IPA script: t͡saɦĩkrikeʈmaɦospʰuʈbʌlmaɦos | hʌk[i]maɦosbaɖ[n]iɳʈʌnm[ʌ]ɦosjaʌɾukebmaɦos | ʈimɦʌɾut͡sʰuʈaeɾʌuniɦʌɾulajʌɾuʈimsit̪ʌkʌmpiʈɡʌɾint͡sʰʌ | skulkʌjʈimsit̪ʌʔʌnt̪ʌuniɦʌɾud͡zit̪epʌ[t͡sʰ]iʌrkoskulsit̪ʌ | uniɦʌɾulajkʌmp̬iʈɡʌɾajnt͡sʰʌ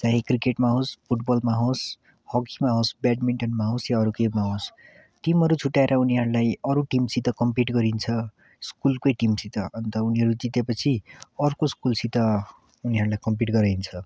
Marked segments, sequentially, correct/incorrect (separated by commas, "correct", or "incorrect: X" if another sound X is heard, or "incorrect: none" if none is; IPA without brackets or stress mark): correct, incorrect: m, incorrect: a, correct